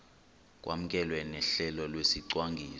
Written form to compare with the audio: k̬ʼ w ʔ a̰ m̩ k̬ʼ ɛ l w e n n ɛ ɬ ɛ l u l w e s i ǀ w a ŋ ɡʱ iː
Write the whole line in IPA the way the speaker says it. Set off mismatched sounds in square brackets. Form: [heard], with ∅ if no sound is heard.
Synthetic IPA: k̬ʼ w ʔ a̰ m̩ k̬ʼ ɛ l w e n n ɛ ɬ ɛ l [ɔ] l w e s i ǀ w a ŋ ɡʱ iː